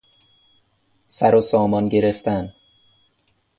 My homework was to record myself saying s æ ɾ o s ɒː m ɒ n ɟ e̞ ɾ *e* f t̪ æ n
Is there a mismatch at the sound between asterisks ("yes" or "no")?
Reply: no